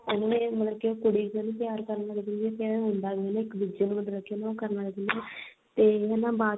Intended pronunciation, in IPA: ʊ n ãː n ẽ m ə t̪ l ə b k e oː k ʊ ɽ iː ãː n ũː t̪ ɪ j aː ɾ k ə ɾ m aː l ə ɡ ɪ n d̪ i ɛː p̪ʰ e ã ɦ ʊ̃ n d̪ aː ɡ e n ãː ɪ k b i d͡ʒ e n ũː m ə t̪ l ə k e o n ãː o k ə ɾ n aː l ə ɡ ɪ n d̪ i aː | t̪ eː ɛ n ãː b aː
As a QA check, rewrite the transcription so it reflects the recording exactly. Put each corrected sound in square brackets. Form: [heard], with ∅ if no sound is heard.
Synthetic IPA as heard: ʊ n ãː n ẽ m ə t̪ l ə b k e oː k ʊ ɽ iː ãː n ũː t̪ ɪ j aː ɾ k ə ɾ [n] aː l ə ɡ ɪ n d̪ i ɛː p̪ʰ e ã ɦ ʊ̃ n d̪ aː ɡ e n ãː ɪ k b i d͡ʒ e n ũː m ə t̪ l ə k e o n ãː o k ə ɾ n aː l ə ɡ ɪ n d̪ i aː | t̪ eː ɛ n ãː b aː